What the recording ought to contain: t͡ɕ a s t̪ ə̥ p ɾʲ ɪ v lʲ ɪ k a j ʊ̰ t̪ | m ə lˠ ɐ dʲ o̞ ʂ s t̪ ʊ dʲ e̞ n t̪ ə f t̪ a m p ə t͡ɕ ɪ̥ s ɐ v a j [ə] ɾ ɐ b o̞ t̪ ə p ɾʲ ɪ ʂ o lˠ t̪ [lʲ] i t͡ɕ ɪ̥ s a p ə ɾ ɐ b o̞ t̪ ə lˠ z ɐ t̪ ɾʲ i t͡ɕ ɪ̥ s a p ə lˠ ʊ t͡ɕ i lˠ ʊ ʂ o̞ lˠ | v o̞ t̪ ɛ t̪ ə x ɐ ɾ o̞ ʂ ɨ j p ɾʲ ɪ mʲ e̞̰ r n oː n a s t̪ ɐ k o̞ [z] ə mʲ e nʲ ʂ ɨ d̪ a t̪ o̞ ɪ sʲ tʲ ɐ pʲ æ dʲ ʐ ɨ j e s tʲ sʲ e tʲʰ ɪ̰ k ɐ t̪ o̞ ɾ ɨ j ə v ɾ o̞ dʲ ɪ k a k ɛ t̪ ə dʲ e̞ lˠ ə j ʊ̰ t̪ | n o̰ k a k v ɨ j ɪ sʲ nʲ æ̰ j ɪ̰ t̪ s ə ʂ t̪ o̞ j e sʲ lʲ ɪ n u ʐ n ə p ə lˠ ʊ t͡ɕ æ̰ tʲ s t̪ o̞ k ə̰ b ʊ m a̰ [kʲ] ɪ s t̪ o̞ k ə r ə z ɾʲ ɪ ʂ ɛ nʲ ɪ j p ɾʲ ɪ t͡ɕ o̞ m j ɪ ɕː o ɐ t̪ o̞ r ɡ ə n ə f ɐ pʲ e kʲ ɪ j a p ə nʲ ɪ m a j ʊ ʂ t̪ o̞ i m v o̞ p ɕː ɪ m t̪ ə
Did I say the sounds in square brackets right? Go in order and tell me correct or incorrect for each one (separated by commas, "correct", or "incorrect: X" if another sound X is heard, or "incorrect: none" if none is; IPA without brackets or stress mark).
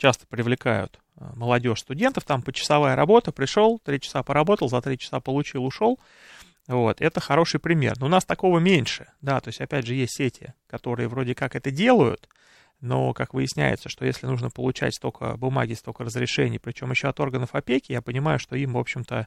correct, incorrect: ɾʲ, incorrect: v, incorrect: ɡʲ